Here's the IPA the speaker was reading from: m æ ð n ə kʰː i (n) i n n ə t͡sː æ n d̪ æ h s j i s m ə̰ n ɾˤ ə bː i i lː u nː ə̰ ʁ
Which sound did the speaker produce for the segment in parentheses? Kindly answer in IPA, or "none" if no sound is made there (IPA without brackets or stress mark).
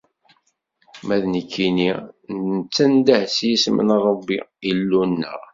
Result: n